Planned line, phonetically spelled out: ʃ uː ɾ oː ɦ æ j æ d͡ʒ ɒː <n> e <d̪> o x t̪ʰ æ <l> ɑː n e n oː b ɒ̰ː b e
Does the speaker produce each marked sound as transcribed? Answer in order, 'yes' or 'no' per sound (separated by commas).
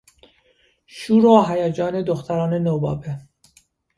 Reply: yes, yes, no